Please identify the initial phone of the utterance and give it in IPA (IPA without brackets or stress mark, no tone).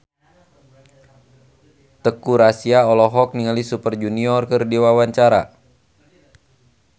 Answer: t̪